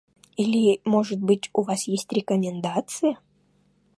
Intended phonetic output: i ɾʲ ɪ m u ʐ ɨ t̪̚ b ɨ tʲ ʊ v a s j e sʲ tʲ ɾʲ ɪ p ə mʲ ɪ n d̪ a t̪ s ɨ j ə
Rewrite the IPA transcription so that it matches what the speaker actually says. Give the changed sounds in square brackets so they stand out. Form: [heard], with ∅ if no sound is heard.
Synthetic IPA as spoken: i [lʲ] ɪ m [o] ʐ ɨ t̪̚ b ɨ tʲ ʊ v a s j e sʲ tʲ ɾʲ ɪ [k] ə mʲ ɪ n d̪ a t̪ s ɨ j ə